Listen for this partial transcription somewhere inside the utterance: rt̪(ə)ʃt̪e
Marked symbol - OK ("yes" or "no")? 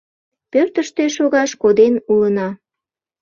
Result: yes